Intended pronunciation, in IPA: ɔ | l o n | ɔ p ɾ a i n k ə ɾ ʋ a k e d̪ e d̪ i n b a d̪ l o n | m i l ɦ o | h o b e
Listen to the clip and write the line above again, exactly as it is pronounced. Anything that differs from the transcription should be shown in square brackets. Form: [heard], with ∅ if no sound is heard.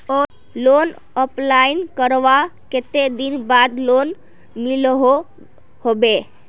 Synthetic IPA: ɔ | l o n | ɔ p [l] a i n k ə ɾ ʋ a k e [t̪] e d̪ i n b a d̪ l o n | m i l ɦ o | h o b e